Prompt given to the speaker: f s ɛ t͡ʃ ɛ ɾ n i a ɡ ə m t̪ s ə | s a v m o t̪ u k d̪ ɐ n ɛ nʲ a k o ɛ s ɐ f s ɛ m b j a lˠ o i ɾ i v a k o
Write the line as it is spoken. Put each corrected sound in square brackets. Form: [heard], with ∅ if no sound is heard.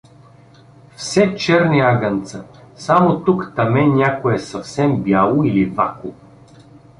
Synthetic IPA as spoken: f s ɛ t͡ʃ ɛ ɾ n i a ɡ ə [n] t̪ s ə | s a [∅] m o t̪ u k [t̪] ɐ [m] ɛ nʲ a k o ɛ s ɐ f s ɛ m b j a lˠ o i [l] i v a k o